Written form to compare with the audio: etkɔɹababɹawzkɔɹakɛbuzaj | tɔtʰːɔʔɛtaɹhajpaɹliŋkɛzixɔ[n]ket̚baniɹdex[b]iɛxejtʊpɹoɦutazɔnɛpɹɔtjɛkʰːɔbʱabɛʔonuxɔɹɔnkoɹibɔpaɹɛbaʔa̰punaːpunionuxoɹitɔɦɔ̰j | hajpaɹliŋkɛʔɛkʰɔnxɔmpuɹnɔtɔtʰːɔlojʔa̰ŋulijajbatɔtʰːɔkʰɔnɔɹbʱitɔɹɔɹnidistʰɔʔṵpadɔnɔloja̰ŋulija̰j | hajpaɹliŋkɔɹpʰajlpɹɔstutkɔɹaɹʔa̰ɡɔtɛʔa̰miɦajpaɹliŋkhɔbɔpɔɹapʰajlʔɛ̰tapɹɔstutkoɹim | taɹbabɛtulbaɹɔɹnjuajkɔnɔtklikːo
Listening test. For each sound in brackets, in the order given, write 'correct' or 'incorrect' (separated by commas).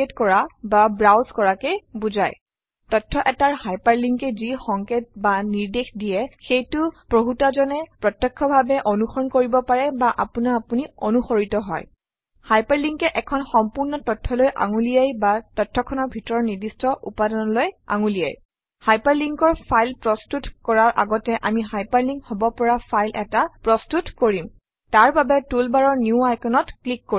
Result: incorrect, incorrect